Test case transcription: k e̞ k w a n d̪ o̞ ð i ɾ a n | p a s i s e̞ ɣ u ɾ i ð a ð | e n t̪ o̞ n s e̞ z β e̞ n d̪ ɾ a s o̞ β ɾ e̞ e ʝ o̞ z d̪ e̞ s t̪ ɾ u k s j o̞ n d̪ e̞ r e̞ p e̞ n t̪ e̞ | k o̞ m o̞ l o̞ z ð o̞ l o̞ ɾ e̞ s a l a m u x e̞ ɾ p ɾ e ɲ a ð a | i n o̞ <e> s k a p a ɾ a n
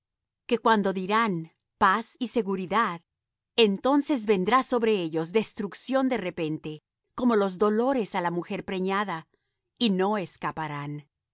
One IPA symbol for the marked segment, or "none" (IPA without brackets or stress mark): e